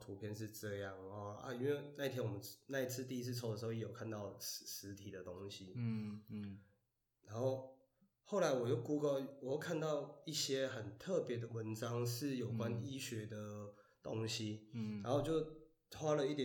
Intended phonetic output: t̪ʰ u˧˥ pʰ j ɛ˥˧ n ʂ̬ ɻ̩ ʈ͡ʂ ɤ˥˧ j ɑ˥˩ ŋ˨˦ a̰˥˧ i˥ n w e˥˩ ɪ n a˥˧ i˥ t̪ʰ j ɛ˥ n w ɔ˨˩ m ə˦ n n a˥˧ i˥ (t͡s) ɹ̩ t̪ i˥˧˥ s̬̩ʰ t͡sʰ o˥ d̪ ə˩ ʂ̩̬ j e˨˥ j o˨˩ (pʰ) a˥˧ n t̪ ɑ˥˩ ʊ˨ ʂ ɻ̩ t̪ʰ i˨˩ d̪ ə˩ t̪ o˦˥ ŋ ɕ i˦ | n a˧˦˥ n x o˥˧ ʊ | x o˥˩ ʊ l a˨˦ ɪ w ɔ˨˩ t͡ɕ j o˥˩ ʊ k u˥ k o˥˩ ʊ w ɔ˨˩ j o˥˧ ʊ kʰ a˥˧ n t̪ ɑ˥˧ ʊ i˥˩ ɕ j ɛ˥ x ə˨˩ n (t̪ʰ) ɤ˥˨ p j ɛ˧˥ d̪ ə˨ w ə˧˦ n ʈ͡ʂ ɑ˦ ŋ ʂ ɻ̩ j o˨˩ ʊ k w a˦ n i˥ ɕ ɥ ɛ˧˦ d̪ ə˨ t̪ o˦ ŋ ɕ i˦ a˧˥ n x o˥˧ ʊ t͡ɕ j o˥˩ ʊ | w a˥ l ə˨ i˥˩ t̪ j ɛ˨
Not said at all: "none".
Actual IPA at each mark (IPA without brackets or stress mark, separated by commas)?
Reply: t͡sʰ, kʰ, t̪ʰ